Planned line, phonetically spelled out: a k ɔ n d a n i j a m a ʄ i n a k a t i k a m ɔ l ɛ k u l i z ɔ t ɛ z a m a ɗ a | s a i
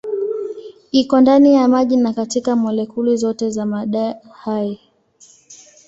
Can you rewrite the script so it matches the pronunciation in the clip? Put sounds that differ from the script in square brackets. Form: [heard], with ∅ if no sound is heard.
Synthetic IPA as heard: [i] k ɔ n d a n i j a m a ʄ i n a k a t i k a m ɔ l ɛ k u l i z ɔ t ɛ z a m a ɗ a | [h] a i